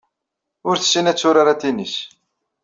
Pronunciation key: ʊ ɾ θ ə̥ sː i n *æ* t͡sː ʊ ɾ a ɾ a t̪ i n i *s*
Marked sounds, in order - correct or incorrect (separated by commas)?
correct, correct